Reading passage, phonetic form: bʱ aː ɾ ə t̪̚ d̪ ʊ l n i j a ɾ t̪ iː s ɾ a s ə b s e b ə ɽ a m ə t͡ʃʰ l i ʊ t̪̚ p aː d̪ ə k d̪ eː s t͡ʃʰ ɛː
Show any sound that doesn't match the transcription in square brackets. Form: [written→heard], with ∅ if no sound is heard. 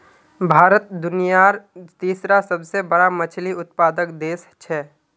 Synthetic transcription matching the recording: bʱ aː ɾ ə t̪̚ d̪ ʊ [l→∅] n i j a ɾ t̪ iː s ɾ a s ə b s e b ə ɽ a m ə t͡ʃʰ l i ʊ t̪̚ p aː d̪ ə k d̪ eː s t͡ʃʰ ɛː

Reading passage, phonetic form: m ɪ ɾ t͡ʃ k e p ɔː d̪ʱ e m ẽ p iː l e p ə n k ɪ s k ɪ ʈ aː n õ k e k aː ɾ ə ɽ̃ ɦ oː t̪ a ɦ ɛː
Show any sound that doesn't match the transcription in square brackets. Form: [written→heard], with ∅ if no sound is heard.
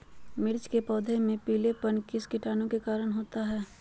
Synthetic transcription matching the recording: m ɪ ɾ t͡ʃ k e p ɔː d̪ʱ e m ẽ p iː l e p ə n k ɪ s k ɪ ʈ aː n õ k e k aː ɾ ə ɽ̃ ɦ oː t̪ a ɦ ɛː

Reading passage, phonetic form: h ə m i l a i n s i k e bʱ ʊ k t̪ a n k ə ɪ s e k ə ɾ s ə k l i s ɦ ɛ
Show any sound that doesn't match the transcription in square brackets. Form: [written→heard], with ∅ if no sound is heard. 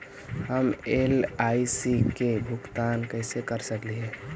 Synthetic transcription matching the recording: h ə m [i→e] l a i [n→∅] s i k e bʱ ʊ k t̪ a n k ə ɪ s e k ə ɾ s ə k l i [s→∅] ɦ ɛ

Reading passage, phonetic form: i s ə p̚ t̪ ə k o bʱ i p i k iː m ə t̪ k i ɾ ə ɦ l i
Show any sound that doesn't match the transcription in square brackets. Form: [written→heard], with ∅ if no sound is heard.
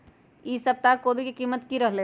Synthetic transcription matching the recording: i s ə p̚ t̪ [ə→a] k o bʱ i [p→k] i k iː m ə t̪ k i ɾ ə ɦ l [i→e]

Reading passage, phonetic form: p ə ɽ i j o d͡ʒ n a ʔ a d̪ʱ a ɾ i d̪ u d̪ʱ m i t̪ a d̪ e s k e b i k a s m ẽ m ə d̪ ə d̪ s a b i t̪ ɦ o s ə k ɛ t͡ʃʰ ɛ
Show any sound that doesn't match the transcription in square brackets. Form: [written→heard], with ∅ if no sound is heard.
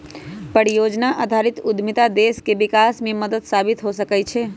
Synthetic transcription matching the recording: p ə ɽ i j o d͡ʒ n a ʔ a d̪ʱ a ɾ i [d̪→t̪] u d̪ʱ m i t̪ a d̪ e s k e b i k a s m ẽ m ə d̪ ə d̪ s a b i t̪ ɦ o s ə k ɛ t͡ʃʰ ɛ

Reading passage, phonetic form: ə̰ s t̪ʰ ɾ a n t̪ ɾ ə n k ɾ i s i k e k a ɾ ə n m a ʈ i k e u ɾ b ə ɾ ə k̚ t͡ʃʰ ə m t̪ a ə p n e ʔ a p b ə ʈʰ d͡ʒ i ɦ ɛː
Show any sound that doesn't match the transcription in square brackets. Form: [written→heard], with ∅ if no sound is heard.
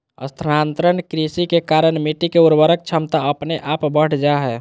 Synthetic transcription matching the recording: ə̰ s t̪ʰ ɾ a n t̪ ɾ ə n k ɾ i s i k e k a ɾ ə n m [a→i] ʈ i k e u ɾ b ə ɾ ə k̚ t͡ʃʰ ə m t̪ a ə p n e ʔ a p b ə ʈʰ d͡ʒ [i→a] ɦ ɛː

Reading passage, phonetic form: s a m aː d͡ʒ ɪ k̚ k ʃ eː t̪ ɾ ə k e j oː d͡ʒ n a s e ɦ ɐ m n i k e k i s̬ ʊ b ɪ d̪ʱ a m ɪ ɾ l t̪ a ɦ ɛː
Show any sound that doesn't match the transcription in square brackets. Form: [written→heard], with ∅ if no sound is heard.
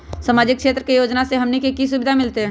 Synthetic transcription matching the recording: s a m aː d͡ʒ ɪ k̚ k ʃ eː t̪ ɾ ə k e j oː d͡ʒ n a s e ɦ ɐ m n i k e k i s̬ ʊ b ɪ d̪ʱ a m ɪ [ɾ→∅] l t̪ [a→e] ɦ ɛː

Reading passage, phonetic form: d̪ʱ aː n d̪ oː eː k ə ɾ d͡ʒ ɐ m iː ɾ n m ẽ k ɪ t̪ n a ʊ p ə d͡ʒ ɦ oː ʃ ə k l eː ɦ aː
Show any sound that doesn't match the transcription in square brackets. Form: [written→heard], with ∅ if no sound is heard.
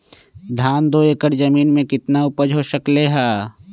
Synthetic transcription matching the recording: d̪ʱ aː n d̪ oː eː k ə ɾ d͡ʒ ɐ m iː [ɾ→∅] n m ẽ k ɪ t̪ n a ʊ p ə d͡ʒ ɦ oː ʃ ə k l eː ɦ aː

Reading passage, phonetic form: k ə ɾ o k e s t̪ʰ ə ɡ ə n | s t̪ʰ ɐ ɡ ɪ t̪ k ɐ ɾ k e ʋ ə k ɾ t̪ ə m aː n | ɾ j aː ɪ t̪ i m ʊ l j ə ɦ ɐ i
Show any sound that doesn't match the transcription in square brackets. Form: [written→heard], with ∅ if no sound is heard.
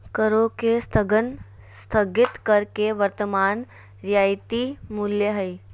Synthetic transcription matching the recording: k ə ɾ o k e s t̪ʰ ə ɡ ə n | s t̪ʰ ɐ ɡ ɪ t̪ k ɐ ɾ k e ʋ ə [k→∅] ɾ t̪ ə m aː n | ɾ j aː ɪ t̪ i m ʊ l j ə ɦ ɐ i

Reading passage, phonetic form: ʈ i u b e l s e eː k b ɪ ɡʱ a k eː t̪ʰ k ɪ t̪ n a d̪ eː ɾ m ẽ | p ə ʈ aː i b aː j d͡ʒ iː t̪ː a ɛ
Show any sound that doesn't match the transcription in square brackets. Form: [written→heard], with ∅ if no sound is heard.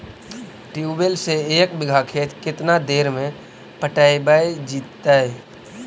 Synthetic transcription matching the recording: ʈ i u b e l s e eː k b ɪ ɡʱ a [k→kʰ] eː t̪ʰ k ɪ t̪ n a d̪ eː ɾ m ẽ | p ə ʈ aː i b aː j d͡ʒ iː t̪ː a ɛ

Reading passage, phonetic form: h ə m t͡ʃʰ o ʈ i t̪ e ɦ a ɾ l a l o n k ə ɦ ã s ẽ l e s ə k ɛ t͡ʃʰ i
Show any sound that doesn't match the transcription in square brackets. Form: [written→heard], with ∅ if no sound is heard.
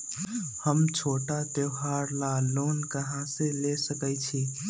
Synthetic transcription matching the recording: h ə m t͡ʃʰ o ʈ [i→a] t̪ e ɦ a ɾ l a l o n k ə ɦ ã s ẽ l e s ə k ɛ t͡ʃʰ i

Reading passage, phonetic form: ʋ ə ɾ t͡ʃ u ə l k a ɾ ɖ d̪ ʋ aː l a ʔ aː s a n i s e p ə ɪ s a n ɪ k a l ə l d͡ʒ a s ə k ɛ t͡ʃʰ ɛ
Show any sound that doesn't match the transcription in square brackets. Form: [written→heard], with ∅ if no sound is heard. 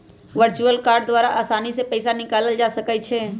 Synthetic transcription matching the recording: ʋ ə ɾ t͡ʃ u ə l k a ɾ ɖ d̪ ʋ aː [l→ɾ] a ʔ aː s a n i s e p ə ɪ s a n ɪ k a l ə l d͡ʒ a s ə k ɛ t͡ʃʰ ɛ

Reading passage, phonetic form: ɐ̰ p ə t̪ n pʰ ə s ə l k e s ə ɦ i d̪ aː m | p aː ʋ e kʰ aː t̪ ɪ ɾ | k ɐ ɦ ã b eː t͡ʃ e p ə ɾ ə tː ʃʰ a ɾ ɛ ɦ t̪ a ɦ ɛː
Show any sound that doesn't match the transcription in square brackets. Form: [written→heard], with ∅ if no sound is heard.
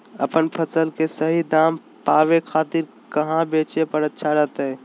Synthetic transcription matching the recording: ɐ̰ p ə [t̪→∅] n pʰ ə s ə l k e s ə ɦ i d̪ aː m | p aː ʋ e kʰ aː t̪ ɪ ɾ | k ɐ ɦ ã b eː t͡ʃ e p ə ɾ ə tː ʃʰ a ɾ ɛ ɦ t̪ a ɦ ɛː

